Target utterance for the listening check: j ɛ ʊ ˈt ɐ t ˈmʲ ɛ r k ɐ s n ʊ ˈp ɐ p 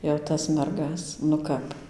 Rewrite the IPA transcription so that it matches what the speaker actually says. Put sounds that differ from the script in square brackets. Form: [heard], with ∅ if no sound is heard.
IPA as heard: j ɛ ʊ ˈt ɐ [s] ˈmʲ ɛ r [ɡ] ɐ s n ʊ [ˈk] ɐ p